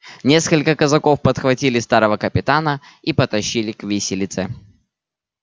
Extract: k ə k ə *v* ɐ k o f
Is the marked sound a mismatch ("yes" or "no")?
yes